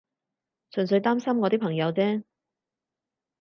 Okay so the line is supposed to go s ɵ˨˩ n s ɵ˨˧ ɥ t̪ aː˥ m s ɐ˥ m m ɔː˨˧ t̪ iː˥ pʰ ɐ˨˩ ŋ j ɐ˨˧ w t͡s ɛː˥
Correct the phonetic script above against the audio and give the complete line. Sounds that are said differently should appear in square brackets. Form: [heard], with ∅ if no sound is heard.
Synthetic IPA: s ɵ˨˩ n s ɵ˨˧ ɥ t̪ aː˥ m s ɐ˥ m [ŋ] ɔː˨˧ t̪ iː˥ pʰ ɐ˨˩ ŋ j ɐ˨˧ w t͡s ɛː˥